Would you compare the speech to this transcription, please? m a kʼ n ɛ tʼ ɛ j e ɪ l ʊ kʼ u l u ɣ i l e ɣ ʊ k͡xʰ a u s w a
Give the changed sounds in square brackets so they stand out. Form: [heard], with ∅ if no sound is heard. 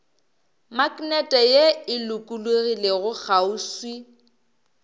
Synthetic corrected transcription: m a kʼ n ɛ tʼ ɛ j e ɪ l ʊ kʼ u l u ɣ i l e ɣ ʊ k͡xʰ a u s w [i]